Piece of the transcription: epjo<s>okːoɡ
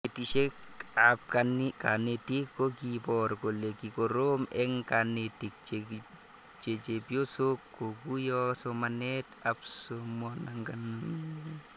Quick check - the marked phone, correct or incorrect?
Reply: correct